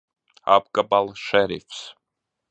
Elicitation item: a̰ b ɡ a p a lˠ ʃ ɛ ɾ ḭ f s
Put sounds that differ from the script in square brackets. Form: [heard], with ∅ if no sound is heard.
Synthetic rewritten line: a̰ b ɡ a [b] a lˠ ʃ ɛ ɾ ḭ f s